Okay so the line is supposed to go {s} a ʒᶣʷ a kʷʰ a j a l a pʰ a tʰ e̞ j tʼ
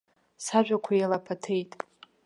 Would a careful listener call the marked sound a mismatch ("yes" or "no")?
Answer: no